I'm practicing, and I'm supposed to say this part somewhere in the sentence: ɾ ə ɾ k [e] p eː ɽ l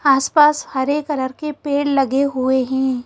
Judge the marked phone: correct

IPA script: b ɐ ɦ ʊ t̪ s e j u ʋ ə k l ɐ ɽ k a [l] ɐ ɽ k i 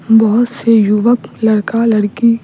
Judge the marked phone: correct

